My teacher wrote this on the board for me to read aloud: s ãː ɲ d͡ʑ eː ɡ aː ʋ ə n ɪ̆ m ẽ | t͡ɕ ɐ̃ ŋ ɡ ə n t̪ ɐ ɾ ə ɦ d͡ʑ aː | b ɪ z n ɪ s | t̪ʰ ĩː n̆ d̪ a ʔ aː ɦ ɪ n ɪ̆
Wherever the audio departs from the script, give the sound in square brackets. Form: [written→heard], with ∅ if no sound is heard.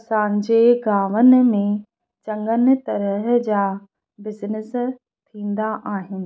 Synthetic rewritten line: s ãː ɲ d͡ʑ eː ɡ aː ʋ ə n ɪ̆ m ẽ | t͡ɕ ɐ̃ ŋ ɡ ə n t̪ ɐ ɾ ə ɦ d͡ʑ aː | b ɪ z n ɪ s | t̪ʰ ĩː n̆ d̪ a ʔ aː ɦ ɪ n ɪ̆